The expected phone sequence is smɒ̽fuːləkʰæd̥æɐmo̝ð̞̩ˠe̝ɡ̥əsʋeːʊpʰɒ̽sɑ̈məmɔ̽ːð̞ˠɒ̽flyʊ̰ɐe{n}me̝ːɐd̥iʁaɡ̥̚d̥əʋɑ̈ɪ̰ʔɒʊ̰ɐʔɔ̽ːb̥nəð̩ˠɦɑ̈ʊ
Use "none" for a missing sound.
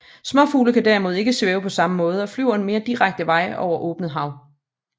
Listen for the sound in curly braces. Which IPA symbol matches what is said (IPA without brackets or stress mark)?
n